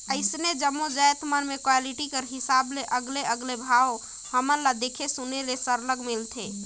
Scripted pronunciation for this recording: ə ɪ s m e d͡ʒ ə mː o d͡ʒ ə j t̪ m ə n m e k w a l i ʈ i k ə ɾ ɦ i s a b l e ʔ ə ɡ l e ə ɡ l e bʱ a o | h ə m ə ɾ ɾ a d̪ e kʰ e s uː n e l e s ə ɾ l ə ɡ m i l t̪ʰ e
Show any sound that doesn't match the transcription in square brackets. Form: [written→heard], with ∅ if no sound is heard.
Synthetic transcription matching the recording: ə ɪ s [m→n] e d͡ʒ ə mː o d͡ʒ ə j t̪ m ə n m e k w a l i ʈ i k ə ɾ ɦ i s a b l e ʔ ə ɡ l e ə ɡ l e bʱ a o | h ə m ə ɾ [ɾ→l] a d̪ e kʰ e s [uː→u] n e l e s ə ɾ l ə ɡ m i l t̪ʰ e